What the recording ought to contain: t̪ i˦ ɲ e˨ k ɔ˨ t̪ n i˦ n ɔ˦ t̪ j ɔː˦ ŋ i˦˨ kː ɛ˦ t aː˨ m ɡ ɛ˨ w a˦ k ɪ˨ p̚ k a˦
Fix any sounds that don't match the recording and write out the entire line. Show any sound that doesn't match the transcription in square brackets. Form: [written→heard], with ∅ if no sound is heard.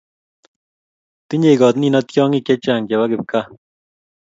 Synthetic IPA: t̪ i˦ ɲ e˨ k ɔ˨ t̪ n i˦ n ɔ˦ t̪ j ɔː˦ ŋ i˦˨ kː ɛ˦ [t→t͡ʃ] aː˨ [m→ŋ] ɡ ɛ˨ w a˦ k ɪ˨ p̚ k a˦